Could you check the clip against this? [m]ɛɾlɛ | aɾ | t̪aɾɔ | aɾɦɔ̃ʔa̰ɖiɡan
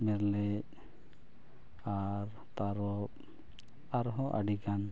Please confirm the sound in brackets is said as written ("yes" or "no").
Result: yes